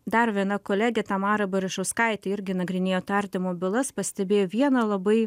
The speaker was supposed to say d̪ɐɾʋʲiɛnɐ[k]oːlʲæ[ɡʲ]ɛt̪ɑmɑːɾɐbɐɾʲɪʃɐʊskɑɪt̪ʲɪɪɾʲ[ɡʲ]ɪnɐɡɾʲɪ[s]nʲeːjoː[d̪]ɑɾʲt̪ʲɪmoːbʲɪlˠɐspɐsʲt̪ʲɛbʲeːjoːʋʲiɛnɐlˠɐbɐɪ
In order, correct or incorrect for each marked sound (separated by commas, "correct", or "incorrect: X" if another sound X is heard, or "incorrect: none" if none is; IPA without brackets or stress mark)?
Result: correct, correct, correct, incorrect: none, incorrect: t̪